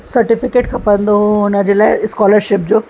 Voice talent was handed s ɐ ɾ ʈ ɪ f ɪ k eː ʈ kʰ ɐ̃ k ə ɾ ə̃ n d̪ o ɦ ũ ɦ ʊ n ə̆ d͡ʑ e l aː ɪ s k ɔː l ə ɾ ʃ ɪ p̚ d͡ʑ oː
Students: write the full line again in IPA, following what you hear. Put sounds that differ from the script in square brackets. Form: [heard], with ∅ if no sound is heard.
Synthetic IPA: s ɐ ɾ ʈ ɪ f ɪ k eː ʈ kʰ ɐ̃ [p] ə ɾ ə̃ n d̪ o ɦ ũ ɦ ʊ n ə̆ d͡ʑ e l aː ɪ s k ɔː l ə ɾ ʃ ɪ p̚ d͡ʑ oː

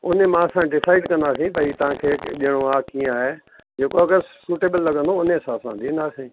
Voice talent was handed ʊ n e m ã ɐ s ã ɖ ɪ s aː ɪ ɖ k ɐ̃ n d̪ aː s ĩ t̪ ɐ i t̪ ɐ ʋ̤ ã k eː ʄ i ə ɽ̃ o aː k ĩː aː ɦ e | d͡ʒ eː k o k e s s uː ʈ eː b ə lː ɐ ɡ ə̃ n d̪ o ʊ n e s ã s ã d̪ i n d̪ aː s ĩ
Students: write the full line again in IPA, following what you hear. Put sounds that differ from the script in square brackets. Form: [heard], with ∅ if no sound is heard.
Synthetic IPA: ʊ n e m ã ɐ s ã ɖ ɪ s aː ɪ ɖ k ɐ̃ n d̪ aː s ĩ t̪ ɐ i t̪ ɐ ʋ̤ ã [kʰ] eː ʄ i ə ɽ̃ o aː k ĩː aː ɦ e | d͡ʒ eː k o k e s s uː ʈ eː b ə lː ɐ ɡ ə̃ n d̪ o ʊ n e s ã s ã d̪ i n d̪ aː s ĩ

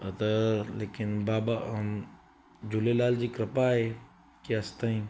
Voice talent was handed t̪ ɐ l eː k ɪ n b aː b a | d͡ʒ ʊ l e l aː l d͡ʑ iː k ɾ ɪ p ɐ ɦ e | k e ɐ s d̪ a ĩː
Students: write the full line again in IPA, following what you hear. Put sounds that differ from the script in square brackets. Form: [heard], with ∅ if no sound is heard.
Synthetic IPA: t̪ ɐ l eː k ɪ n b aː b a | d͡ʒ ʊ l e l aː l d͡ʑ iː k ɾ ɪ p [a] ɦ e | k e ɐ s [t̪] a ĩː

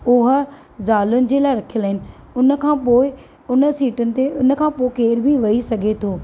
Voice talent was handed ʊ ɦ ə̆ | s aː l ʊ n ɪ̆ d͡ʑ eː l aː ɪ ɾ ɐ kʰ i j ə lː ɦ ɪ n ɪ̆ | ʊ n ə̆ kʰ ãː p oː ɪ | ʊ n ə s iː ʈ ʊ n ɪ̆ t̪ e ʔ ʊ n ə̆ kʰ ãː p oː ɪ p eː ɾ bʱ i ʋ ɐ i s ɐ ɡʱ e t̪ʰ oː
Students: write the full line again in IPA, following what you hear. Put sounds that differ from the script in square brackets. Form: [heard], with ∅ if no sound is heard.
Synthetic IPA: ʊ ɦ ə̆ | [z] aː l ʊ n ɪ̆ d͡ʑ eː l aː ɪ ɾ ɐ kʰ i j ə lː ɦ ɪ n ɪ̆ | ʊ n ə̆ kʰ ãː p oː ɪ | ʊ n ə s iː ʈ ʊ n ɪ̆ t̪ e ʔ ʊ n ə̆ kʰ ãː p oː ɪ [k] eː ɾ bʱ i ʋ ɐ i s ɐ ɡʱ e t̪ʰ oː

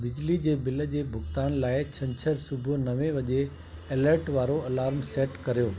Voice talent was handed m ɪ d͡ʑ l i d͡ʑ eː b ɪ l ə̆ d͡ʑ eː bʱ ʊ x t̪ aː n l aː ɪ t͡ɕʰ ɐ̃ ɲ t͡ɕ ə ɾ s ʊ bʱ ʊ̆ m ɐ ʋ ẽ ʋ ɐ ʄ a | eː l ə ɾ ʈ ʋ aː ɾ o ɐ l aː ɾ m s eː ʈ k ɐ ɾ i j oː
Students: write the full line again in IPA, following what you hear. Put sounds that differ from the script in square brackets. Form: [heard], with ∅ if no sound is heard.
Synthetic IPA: [b] ɪ d͡ʑ l i d͡ʑ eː b ɪ l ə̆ d͡ʑ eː bʱ ʊ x t̪ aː n l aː ɪ t͡ɕʰ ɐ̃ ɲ [t͡ɕʰ] ə ɾ s ʊ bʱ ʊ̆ [n] ɐ ʋ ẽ ʋ ɐ ʄ [e] | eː l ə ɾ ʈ ʋ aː ɾ o ɐ l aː ɾ m s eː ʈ k ɐ ɾ i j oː

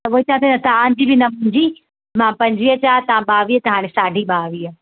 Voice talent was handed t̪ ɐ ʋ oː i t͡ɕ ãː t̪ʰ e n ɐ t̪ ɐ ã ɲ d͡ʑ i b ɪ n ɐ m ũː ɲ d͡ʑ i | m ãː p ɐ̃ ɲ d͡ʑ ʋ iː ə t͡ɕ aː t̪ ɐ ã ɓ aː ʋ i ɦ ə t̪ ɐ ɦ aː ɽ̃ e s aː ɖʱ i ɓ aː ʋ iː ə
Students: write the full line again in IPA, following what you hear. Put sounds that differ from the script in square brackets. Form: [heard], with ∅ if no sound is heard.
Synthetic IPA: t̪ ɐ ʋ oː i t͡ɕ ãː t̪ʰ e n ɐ t̪ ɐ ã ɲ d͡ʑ i b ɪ n ɐ m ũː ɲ d͡ʑ i | m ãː p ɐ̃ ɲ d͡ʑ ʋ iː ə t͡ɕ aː t̪ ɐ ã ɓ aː ʋ i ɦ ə t̪ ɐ ɦ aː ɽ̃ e s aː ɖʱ i ɓ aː ʋ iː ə

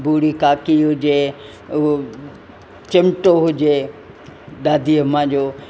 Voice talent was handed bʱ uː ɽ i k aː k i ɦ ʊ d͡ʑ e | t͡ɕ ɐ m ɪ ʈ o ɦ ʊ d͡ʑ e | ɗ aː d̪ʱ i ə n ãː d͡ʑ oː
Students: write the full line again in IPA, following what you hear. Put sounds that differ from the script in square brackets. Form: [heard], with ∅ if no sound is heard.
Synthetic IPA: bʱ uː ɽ i k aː k i ɦ ʊ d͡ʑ e | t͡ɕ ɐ m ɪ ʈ o ɦ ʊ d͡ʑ e | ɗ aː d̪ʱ i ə [m] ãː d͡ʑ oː

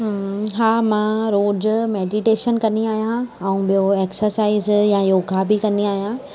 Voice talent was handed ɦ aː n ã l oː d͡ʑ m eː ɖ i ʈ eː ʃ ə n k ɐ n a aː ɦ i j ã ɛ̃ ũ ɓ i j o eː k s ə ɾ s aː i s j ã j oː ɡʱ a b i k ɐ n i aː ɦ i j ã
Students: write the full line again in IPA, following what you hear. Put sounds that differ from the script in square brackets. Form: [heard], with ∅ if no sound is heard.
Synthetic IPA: ɦ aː [m] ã [ɾ] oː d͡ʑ m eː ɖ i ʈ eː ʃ ə n k ɐ n [i] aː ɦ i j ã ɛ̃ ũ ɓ i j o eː k s ə ɾ s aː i [z] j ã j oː ɡʱ a b i k ɐ n i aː ɦ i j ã

